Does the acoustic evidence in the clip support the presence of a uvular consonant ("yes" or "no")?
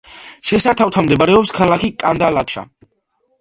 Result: no